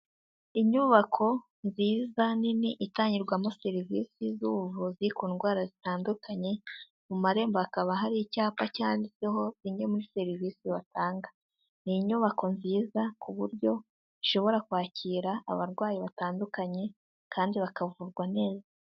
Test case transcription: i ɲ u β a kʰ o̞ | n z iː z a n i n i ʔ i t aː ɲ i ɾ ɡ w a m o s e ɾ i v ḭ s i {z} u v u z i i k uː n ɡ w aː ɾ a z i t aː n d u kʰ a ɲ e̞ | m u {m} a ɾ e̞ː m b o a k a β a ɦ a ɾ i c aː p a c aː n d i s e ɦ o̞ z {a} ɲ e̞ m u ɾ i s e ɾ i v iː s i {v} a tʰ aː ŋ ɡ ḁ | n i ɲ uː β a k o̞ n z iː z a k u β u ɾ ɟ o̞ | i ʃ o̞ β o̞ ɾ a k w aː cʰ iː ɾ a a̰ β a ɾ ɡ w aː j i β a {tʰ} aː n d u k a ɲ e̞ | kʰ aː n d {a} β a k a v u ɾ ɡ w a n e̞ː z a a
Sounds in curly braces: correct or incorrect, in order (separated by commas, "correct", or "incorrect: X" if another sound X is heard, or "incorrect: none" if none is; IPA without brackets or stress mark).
correct, correct, incorrect: i, incorrect: β, incorrect: t, incorrect: i